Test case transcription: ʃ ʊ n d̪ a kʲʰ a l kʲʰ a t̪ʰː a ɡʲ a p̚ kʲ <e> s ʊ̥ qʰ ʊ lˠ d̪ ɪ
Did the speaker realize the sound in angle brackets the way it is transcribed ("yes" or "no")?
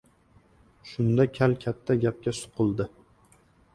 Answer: no